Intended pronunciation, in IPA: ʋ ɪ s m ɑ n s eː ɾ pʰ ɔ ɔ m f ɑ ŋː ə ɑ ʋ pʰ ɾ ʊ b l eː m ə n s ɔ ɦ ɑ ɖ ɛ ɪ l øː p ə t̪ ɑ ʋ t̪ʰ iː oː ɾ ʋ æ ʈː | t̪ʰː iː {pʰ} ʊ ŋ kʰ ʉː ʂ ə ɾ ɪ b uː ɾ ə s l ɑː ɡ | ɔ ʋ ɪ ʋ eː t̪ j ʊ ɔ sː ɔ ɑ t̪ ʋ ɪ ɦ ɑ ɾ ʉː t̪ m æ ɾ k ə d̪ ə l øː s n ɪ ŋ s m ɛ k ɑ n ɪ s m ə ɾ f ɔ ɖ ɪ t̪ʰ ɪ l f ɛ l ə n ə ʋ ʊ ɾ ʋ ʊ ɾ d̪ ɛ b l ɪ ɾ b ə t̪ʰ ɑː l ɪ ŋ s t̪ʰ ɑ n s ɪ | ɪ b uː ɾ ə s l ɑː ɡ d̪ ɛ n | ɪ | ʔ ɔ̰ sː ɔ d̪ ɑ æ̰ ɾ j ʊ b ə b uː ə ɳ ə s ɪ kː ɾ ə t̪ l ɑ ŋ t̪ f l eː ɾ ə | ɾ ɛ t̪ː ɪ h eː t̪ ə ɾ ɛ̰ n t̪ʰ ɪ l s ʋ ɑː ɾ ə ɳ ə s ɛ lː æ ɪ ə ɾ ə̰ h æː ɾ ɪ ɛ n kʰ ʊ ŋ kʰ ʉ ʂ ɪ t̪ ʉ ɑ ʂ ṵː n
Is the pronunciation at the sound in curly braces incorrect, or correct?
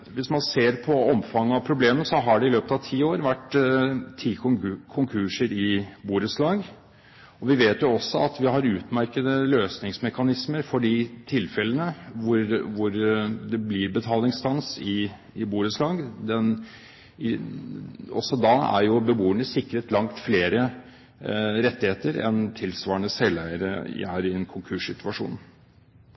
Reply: incorrect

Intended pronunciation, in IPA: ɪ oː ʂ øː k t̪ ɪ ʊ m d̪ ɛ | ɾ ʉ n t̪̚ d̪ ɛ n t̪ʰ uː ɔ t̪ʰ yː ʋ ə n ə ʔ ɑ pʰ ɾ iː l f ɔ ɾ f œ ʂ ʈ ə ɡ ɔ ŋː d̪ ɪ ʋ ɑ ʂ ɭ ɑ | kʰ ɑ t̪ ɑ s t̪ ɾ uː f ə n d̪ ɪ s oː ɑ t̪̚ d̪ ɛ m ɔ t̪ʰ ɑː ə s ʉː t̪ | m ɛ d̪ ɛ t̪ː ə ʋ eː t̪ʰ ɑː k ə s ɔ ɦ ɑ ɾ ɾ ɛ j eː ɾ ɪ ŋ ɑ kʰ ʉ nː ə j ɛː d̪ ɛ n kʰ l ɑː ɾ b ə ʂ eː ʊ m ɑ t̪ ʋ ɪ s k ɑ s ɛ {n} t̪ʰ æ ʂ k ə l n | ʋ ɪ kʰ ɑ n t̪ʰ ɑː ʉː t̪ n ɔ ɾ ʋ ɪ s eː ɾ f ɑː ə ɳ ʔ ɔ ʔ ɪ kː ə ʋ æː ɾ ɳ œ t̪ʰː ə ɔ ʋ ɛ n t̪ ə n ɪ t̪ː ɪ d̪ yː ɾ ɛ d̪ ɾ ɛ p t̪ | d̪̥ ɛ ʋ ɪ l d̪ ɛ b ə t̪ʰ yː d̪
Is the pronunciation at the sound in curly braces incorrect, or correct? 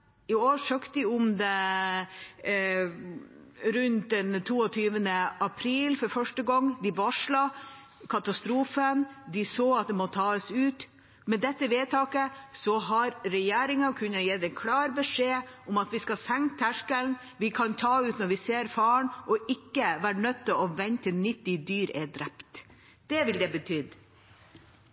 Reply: incorrect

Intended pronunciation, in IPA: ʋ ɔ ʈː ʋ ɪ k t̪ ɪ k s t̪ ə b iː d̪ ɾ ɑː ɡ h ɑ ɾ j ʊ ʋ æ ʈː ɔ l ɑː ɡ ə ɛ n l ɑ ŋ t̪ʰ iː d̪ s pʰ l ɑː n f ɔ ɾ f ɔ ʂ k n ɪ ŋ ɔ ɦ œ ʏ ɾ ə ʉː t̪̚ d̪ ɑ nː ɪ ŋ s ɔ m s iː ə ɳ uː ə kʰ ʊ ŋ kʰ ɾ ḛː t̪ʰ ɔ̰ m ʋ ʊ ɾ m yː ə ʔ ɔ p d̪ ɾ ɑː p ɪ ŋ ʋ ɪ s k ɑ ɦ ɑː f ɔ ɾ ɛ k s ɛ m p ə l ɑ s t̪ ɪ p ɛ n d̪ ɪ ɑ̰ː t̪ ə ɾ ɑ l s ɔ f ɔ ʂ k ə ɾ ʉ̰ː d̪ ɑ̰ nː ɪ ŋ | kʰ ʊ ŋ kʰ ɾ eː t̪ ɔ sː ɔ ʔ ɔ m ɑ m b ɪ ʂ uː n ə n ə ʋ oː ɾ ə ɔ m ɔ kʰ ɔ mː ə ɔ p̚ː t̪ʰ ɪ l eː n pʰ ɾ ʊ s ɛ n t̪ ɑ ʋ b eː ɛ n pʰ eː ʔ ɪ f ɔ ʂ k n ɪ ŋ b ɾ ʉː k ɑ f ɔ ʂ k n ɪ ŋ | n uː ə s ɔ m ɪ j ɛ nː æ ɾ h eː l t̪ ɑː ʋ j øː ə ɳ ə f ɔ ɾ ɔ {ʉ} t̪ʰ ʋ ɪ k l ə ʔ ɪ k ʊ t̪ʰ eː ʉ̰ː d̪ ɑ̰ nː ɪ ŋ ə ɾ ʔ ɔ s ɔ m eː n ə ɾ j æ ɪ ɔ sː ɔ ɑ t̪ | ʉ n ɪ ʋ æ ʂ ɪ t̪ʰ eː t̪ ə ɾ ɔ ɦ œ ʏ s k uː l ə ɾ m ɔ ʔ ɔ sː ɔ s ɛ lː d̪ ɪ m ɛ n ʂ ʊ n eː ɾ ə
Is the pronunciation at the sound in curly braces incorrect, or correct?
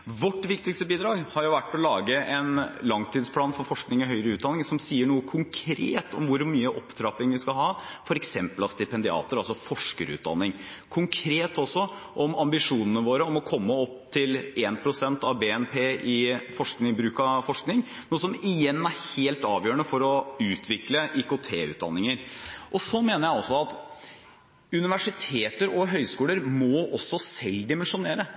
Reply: incorrect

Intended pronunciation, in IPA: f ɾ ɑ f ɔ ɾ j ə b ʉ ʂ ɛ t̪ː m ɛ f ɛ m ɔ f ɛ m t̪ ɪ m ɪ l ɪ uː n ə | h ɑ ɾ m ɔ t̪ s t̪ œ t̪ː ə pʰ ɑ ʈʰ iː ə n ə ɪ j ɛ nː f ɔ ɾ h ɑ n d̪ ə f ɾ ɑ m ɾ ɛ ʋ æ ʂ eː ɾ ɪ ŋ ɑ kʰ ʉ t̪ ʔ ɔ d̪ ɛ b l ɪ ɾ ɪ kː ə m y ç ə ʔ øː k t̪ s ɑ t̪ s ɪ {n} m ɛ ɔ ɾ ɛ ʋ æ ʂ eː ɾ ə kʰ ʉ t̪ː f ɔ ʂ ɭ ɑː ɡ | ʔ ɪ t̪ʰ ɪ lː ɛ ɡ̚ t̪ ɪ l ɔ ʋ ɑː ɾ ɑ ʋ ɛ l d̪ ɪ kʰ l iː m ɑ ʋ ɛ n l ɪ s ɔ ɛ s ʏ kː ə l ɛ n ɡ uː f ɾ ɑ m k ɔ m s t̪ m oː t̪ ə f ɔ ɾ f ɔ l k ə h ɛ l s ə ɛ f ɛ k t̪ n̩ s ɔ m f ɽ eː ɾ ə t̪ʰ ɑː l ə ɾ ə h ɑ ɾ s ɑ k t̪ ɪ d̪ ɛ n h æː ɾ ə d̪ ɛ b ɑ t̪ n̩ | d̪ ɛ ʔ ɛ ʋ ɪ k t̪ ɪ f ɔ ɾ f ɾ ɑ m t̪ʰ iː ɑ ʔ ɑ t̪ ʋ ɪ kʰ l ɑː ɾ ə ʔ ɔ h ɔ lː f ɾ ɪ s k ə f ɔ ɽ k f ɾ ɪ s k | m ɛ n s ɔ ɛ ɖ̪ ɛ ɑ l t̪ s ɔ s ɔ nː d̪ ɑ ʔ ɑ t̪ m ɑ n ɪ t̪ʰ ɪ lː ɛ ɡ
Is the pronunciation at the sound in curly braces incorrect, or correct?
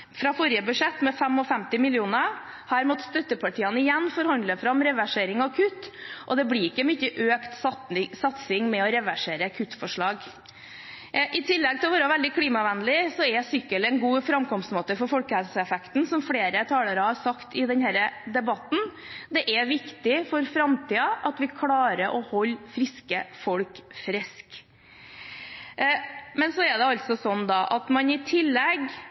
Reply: incorrect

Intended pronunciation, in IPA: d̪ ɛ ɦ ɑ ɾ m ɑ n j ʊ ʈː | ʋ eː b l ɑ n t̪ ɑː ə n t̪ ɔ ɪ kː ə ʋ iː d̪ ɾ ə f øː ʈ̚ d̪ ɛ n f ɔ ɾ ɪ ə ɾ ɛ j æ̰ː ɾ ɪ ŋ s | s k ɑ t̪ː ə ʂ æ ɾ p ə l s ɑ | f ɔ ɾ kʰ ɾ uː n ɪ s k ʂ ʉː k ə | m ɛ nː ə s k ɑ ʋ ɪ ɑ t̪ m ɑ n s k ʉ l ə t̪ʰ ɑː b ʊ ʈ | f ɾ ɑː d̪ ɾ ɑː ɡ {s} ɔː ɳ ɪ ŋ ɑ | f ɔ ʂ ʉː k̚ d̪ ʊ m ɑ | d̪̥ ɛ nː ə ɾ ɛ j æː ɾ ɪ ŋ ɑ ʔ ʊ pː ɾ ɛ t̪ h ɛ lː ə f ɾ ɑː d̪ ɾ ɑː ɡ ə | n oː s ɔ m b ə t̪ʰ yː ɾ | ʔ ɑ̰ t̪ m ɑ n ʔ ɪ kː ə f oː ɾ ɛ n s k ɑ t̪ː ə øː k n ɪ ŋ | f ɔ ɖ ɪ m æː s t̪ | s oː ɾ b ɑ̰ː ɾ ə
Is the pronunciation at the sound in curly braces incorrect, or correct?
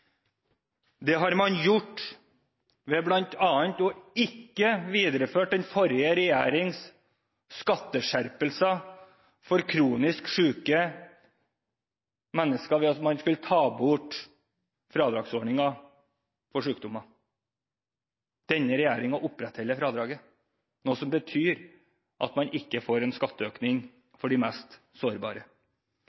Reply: correct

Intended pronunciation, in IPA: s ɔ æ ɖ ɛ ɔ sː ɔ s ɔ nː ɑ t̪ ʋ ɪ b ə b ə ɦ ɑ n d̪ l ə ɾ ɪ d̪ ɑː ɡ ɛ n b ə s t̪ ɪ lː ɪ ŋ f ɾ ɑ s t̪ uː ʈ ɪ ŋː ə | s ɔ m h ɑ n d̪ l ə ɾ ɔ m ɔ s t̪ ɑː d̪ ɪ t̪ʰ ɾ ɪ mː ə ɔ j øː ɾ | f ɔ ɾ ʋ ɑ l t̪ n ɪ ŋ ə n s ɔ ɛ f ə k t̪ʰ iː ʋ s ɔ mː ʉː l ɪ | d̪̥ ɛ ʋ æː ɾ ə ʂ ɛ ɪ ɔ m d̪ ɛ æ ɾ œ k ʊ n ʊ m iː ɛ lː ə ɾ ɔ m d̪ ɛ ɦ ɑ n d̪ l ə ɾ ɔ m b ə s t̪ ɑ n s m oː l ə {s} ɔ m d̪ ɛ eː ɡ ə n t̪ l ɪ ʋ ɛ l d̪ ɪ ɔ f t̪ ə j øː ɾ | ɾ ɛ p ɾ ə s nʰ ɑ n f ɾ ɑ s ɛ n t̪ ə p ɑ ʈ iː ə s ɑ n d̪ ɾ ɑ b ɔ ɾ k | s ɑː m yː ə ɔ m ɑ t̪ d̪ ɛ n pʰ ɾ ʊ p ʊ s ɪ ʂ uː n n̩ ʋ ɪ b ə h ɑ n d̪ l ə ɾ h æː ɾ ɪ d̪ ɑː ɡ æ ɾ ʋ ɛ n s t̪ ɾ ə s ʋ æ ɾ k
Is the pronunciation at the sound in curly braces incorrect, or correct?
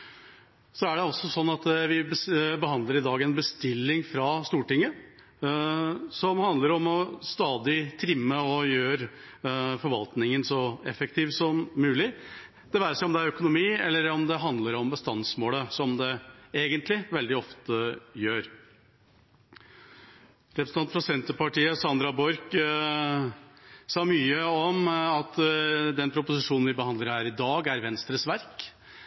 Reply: correct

